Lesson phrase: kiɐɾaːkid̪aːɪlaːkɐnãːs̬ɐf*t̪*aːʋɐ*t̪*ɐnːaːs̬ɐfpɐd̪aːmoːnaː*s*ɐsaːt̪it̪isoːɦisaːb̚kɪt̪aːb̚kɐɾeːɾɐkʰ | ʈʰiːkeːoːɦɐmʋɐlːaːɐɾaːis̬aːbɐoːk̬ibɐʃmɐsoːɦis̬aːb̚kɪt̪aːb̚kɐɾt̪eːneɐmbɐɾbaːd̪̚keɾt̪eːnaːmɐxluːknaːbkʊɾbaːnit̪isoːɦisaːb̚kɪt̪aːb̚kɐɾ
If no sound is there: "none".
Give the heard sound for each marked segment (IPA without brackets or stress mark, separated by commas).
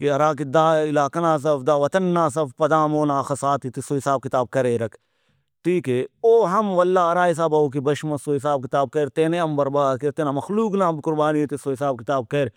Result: d̪, t̪, x